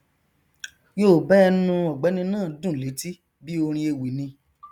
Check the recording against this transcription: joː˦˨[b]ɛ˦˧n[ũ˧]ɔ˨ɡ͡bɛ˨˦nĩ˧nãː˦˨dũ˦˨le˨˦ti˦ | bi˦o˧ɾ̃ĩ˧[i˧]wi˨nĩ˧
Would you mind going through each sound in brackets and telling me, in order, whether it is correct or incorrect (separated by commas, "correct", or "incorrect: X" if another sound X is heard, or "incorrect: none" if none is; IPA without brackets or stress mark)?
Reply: correct, correct, incorrect: e˧